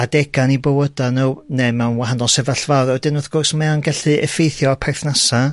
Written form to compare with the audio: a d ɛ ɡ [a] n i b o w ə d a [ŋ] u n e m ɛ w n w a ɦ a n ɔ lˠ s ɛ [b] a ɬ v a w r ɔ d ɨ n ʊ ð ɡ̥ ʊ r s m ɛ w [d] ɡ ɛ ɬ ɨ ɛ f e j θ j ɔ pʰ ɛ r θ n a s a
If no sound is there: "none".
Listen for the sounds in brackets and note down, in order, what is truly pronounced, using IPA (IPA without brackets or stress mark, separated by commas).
a, n, v, n